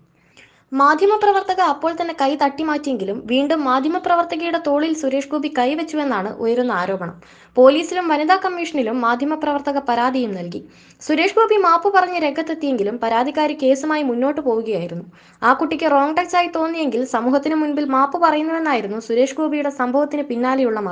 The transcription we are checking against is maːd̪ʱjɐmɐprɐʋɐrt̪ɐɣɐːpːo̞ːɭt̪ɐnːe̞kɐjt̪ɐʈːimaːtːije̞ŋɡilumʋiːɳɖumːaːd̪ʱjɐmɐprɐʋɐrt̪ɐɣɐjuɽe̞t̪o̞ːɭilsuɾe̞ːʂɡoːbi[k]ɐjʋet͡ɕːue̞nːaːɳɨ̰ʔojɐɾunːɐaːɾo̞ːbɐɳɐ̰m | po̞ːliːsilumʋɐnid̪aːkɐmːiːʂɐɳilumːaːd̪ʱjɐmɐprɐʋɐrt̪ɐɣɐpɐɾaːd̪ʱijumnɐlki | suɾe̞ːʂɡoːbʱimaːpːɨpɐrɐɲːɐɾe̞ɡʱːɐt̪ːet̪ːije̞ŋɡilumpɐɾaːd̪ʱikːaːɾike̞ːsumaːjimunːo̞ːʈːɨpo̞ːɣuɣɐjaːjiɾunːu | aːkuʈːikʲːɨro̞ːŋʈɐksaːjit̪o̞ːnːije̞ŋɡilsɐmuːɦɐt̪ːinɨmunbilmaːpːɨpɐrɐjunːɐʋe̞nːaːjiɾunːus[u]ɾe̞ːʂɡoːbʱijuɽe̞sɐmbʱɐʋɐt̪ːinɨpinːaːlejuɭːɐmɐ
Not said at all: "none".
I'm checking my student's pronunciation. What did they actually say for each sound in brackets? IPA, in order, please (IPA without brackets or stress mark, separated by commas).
k, u